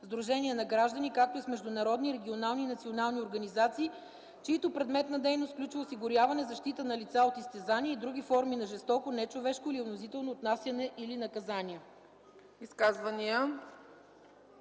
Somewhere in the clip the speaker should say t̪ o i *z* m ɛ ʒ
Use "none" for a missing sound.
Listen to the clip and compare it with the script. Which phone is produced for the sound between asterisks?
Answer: s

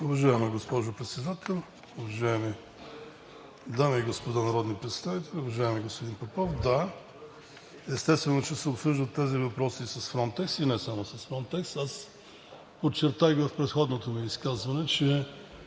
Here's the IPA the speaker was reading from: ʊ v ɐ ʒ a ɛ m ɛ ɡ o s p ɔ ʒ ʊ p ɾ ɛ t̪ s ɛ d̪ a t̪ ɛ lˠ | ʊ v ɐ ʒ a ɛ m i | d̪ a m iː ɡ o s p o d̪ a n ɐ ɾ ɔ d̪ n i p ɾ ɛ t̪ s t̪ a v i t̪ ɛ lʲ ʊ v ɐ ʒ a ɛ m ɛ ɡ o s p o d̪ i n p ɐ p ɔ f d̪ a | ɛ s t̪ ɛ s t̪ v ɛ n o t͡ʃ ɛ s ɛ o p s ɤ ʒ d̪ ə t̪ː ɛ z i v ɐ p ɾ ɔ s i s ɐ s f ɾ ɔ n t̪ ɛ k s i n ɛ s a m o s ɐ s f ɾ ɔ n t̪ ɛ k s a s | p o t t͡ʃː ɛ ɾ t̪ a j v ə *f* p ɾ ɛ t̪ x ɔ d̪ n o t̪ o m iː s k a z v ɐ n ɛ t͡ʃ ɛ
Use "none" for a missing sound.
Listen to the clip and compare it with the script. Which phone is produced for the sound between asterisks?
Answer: f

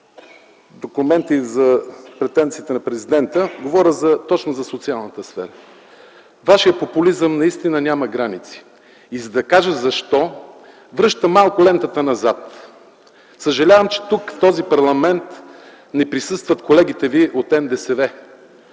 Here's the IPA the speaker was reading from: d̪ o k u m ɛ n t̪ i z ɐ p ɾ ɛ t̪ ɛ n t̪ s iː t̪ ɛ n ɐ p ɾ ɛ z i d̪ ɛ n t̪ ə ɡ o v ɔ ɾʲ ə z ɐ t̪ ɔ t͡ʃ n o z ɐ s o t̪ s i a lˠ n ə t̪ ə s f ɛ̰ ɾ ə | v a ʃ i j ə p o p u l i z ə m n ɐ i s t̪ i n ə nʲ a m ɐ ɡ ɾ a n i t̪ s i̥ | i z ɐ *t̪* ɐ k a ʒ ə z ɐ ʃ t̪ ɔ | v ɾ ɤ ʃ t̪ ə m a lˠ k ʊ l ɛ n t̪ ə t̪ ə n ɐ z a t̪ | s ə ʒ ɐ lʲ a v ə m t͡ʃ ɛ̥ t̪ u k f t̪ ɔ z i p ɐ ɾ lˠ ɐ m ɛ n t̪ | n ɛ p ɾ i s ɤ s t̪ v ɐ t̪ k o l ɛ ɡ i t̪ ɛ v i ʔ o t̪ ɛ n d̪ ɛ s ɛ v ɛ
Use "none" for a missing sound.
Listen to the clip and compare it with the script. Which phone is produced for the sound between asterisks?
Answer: d̪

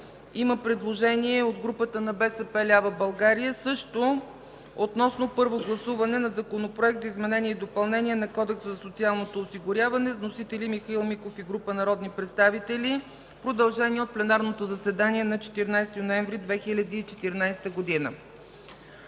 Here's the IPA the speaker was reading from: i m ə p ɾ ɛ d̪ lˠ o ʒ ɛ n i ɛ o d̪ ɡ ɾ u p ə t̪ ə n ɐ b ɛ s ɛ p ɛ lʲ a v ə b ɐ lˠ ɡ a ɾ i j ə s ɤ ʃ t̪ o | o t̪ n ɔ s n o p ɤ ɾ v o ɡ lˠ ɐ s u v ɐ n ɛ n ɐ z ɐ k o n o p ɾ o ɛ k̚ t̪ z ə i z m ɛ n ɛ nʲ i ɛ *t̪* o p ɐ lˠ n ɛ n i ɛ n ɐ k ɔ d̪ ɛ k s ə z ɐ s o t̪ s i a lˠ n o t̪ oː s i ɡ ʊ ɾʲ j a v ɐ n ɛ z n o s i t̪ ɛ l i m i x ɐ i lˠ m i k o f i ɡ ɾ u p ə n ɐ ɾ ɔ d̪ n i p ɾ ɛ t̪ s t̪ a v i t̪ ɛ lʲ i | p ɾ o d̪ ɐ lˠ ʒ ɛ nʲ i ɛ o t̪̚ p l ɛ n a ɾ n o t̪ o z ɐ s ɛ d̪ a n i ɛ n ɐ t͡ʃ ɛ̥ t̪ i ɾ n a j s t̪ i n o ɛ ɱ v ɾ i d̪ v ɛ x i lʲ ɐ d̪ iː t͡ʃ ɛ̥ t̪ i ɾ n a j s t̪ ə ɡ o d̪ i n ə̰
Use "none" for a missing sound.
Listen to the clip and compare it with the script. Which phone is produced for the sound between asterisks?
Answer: d̪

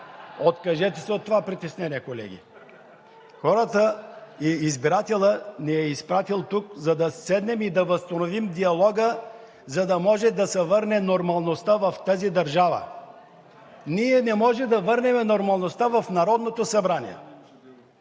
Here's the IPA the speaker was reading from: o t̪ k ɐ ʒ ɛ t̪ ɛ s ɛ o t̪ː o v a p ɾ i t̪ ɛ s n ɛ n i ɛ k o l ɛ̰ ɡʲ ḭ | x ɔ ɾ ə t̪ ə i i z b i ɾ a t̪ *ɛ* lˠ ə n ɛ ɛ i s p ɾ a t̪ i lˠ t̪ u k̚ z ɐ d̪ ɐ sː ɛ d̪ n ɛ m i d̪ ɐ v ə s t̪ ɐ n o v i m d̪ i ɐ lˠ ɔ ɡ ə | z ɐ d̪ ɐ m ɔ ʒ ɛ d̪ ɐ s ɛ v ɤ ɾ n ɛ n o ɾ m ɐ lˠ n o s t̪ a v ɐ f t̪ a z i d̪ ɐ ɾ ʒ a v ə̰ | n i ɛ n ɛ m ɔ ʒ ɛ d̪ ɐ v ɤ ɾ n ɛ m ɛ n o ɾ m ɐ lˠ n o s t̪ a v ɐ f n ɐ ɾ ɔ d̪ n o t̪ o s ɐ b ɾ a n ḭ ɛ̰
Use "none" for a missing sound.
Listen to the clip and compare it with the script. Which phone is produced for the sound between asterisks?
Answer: ɛ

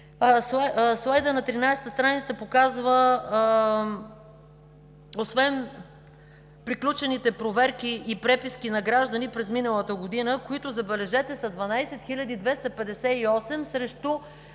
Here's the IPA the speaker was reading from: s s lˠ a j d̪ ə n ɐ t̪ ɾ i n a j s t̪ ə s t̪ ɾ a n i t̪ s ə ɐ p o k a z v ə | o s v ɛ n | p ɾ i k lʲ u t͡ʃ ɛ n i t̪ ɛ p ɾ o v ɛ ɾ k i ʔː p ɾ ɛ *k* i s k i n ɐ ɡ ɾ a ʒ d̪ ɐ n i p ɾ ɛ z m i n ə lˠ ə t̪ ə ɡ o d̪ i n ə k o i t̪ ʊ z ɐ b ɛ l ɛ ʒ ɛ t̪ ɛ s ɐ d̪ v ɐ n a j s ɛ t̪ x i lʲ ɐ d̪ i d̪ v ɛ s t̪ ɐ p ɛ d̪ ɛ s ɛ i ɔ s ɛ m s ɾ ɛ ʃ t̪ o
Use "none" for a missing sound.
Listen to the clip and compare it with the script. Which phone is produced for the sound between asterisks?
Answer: p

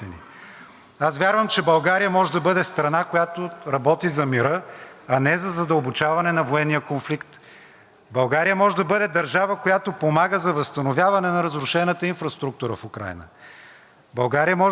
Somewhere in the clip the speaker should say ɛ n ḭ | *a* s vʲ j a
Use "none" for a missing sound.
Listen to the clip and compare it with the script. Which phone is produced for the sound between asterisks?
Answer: a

